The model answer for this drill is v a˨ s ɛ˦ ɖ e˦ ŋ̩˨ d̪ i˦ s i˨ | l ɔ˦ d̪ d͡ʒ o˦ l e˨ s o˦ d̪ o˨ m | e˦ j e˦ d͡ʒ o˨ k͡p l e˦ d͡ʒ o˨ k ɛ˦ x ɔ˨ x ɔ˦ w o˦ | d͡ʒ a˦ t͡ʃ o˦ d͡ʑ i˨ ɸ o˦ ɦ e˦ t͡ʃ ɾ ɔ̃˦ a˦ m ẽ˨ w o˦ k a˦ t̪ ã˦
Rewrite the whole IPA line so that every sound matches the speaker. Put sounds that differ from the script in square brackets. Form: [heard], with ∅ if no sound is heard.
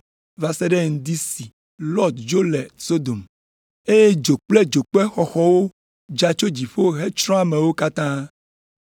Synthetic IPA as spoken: v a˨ s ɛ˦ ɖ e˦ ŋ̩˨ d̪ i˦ s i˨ | l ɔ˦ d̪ d͡ʒ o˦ l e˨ s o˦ d̪ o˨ m | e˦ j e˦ d͡ʒ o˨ k͡p l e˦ d͡ʒ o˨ [k͡p] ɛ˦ x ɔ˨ x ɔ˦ w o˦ | d͡ʒ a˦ t͡ʃ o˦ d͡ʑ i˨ ɸ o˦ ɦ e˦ t͡ʃ ɾ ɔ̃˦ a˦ m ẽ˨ w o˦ k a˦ t̪ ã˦